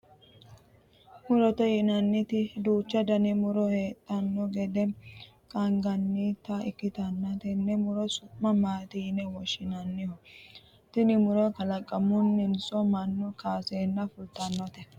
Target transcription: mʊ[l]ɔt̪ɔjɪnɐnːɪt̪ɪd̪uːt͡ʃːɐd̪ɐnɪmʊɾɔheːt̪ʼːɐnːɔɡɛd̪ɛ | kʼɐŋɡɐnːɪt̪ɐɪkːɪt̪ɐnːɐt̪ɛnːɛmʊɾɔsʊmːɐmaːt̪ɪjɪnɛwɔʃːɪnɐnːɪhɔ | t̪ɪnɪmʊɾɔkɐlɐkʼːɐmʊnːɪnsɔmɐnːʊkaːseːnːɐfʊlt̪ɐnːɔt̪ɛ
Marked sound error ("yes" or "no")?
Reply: yes